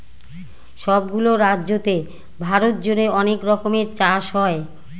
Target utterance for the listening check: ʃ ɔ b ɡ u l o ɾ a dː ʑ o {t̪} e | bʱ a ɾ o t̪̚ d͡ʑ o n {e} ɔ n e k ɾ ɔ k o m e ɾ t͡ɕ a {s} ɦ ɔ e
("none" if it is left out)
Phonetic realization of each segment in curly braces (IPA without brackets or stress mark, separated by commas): t̪, e, ʃ